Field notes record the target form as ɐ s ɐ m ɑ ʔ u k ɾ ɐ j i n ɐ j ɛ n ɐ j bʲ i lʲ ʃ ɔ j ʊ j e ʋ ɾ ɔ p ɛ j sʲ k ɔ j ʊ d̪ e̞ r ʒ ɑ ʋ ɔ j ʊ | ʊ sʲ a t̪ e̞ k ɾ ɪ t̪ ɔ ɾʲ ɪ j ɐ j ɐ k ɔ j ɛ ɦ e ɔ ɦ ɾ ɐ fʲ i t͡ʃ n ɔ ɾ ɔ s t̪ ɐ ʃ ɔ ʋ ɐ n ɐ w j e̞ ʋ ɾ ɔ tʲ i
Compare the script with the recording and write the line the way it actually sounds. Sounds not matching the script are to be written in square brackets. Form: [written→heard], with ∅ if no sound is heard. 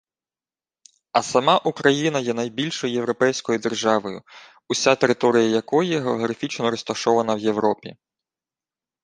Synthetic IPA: ɐ s ɐ m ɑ ʔ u k ɾ ɐ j i n ɐ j ɛ n ɐ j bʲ i lʲ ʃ ɔ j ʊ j e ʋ ɾ ɔ p ɛ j sʲ k ɔ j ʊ d̪ e̞ r ʒ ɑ ʋ ɔ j ʊ | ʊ sʲ a t̪ e̞ [k→∅] ɾ ɪ t̪ ɔ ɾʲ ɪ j ɐ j ɐ k ɔ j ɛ ɦ e ɔ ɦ ɾ ɐ fʲ i t͡ʃ n ɔ ɾ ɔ s t̪ ɐ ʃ ɔ ʋ ɐ n ɐ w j e̞ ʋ ɾ ɔ [tʲ→pʲ] i